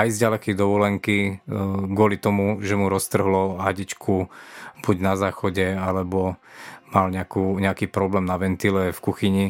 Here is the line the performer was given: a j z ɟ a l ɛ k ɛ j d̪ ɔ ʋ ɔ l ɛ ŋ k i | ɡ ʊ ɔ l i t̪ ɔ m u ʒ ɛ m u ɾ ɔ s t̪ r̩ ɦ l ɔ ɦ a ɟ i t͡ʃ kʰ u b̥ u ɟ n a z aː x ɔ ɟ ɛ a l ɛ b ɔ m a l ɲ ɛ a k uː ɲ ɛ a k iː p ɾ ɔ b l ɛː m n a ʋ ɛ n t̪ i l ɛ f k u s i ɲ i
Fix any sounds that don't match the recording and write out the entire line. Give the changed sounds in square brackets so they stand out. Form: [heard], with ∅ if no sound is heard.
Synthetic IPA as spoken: a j z ɟ a l ɛ k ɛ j d̪ ɔ ʋ ɔ l ɛ ŋ k i | ɡ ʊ ɔ l i t̪ ɔ m u ʒ ɛ m u ɾ ɔ s t̪ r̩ ɦ l ɔ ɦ a ɟ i t͡ʃ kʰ u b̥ u ɟ n a z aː x ɔ ɟ ɛ a l ɛ b ɔ m a l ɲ ɛ a k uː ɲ ɛ a k iː p ɾ ɔ b l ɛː m n a ʋ ɛ n t̪ i l ɛ f k u [x] i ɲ i